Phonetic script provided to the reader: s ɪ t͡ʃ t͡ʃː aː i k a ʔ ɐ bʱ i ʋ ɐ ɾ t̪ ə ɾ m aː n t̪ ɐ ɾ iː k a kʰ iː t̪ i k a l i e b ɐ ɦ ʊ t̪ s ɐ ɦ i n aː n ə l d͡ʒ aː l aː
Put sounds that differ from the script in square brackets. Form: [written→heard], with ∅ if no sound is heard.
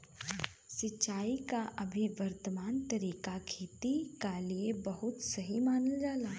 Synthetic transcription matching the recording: s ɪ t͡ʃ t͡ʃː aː i k a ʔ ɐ bʱ i ʋ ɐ ɾ t̪ ə [ɾ→∅] m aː n t̪ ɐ ɾ iː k a kʰ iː t̪ i k a l i e b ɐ ɦ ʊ t̪ s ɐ ɦ i [n→m] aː n ə l d͡ʒ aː l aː